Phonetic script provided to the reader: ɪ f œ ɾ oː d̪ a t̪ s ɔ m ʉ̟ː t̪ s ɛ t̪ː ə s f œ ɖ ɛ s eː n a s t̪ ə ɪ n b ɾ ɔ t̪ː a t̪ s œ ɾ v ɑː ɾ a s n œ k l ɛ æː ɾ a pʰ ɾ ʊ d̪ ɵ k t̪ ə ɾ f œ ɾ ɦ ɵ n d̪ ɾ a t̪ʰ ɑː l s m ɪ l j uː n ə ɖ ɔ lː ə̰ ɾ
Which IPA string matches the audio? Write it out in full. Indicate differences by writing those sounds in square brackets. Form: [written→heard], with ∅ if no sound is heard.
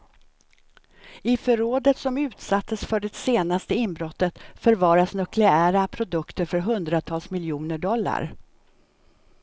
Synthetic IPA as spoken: ɪ f œ ɾ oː d̪ [a→ə] t̪ s ɔ m ʉ̟ː t̪ s [ɛ→a] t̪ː ə s f œ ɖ ɛ s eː n a s t̪ ə ɪ n b ɾ ɔ t̪ː [a→ə] t̪ [s→f] œ ɾ v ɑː ɾ a s n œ k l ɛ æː ɾ a pʰ ɾ ʊ d̪ ɵ k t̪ ə ɾ f œ ɾ ɦ ɵ n d̪ ɾ a t̪ʰ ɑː l s m ɪ l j uː n ə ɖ ɔ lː [ə̰→a̰] ɾ